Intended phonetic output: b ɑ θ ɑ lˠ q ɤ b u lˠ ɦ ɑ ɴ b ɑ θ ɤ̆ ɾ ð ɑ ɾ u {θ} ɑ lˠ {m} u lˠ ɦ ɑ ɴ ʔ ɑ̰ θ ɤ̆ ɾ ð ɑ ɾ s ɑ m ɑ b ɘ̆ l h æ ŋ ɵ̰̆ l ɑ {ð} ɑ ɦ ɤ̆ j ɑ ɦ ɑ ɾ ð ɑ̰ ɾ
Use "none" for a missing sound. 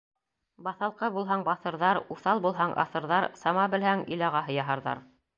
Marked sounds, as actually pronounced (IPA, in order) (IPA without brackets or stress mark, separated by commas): θ, b, ʁ